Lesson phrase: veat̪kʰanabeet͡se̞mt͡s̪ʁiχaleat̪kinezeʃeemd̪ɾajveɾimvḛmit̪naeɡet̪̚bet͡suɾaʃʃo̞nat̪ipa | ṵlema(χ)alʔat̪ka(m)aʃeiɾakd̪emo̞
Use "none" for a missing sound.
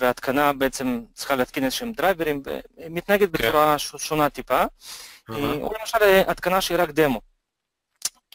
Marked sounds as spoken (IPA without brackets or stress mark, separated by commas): ʃ, n